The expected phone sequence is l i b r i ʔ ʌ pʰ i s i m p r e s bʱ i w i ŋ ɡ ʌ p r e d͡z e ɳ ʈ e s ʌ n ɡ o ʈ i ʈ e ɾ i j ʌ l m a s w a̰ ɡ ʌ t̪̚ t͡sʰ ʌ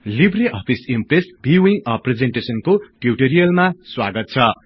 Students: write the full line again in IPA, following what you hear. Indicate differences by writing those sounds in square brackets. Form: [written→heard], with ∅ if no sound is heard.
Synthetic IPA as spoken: l i b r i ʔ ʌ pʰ i s i m p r e s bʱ i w i ŋ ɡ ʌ p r e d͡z e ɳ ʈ e s ʌ n [ɡ→k] o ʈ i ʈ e ɾ i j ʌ l m a s w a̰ ɡ ʌ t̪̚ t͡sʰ ʌ